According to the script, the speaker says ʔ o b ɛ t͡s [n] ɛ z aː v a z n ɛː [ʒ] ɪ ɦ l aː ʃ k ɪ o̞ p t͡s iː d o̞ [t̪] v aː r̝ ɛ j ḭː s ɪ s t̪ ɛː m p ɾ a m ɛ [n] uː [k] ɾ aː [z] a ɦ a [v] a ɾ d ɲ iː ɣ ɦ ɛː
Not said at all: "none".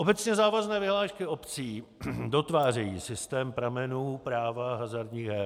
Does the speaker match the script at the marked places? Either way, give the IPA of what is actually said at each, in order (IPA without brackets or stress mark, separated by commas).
ɲ, v, t̪, n, p, v, z